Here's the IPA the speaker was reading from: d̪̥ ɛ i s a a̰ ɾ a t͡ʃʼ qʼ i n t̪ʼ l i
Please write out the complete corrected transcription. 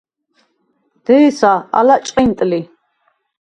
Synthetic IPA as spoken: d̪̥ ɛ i s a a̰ l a t͡ʃʼ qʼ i n t̪ʼ l i